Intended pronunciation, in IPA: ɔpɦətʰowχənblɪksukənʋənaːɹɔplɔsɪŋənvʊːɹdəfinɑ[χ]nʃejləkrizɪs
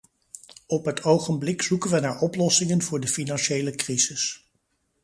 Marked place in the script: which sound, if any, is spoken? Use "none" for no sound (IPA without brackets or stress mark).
none